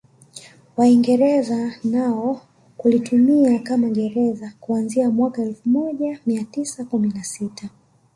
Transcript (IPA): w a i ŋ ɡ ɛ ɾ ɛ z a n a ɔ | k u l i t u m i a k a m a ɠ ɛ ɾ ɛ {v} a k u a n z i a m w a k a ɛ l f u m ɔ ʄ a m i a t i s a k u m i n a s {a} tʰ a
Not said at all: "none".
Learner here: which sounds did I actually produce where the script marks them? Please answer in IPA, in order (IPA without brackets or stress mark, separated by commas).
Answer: z, i